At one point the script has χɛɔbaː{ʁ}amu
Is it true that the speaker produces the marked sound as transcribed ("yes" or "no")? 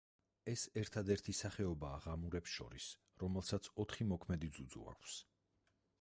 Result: yes